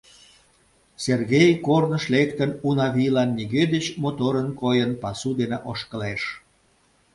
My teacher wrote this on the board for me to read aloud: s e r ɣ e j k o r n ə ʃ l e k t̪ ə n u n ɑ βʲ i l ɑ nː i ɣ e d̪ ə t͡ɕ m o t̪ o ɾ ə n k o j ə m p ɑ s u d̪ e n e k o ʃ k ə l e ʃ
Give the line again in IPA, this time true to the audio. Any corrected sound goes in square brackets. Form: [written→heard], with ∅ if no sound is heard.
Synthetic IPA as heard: s e r ɣ e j k o r n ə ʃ l e k t̪ ə n u n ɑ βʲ i l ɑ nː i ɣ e d̪ ə t͡ɕ m o t̪ o ɾ ə n k o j ə [m→n] p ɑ s u d̪ e n e [k→ʔ] o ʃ k ə l e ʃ